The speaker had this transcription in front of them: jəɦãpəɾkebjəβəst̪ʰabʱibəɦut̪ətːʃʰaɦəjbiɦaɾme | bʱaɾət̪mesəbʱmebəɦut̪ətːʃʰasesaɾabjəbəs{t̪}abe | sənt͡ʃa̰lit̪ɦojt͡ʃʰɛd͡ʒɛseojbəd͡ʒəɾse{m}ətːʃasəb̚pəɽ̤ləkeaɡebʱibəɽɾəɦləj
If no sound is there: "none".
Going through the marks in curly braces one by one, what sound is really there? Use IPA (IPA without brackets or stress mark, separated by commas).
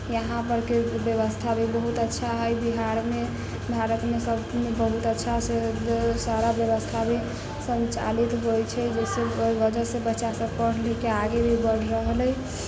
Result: t̪ʰ, b